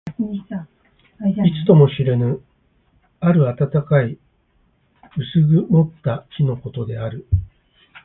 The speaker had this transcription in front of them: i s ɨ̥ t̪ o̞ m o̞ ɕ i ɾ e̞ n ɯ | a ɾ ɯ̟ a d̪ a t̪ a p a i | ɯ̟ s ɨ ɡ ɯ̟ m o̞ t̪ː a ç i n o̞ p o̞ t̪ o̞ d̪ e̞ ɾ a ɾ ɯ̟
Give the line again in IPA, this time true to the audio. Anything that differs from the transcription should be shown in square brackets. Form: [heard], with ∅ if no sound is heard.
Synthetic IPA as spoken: i [t͡s] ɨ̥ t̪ o̞ m o̞ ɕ i ɾ e̞ n ɯ | a ɾ ɯ̟ a [t̪] a t̪ a [k] a i | ɯ̟ s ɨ ɡ ɯ̟ m o̞ t̪ː a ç i n o̞ [k] o̞ t̪ o̞ d̪ e̞ [∅] a ɾ ɯ̟